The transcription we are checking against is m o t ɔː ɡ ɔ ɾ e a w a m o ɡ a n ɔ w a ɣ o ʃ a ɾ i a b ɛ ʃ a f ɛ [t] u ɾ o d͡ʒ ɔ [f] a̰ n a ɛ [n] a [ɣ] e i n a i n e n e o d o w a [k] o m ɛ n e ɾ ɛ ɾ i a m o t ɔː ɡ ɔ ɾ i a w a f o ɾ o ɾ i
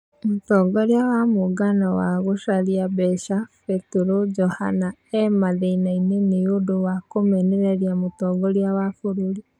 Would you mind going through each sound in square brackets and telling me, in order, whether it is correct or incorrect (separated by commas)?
correct, incorrect, incorrect, incorrect, correct